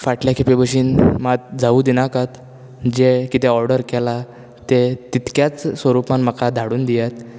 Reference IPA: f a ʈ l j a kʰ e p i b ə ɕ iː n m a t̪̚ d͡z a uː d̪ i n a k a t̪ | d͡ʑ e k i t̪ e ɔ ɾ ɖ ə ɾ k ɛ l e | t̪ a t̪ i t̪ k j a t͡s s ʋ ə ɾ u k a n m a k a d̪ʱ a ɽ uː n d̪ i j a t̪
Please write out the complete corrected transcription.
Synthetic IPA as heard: f a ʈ l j a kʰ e p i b ə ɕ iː n m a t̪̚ d͡z a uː d̪ i n a k a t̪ | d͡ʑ e k i t̪ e ɔ ɾ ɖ ə ɾ k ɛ l a | t̪ e t̪ i t̪ k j a t͡s s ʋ ə ɾ u p a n m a k a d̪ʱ a ɽ uː n d̪ i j a t̪

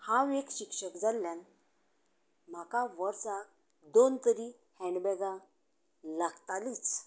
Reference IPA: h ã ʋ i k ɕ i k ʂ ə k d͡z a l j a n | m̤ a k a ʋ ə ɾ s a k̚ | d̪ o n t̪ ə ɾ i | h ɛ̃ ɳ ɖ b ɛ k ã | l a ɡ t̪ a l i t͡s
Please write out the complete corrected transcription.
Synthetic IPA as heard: h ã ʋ e k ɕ i k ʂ ə k d͡z a l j a n | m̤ a k a ʋ ə ɾ s a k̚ | d̪ o n t̪ ə ɾ i | h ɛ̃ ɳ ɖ b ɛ ɡ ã | l a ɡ t̪ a l i t͡s

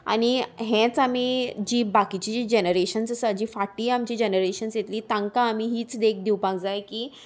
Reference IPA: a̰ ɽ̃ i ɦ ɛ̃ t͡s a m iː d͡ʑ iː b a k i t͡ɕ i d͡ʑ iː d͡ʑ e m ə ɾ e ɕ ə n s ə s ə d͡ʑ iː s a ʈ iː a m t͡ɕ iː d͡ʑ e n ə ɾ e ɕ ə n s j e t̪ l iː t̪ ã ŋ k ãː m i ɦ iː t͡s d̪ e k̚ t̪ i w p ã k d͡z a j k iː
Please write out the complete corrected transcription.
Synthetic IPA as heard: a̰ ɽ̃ i ɦ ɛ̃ t͡s a m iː d͡ʑ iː b a k i t͡ɕ i d͡ʑ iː d͡ʑ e n ə ɾ e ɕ ə n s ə s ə d͡ʑ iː f a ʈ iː a m t͡ɕ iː d͡ʑ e n ə ɾ e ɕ ə n s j e t̪ l iː t̪ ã ŋ k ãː m i ɦ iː t͡s d̪ e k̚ d̪ i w p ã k d͡z a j k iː

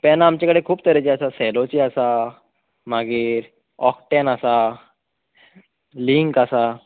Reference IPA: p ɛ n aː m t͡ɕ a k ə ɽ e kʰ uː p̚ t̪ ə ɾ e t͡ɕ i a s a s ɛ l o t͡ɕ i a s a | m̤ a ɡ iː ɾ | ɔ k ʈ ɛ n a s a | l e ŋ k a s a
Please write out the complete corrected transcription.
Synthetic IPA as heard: p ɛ n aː m t͡ɕ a k ə ɽ e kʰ uː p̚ t̪ ə ɾ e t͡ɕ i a s a s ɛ l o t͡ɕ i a s a | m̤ a ɡ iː ɾ | ɔ k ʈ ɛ n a s a | l i ŋ k a s a

